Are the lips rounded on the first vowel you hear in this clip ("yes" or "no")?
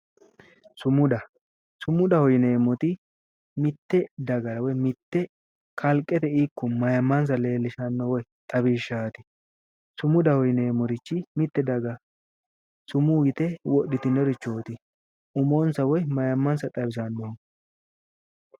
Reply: yes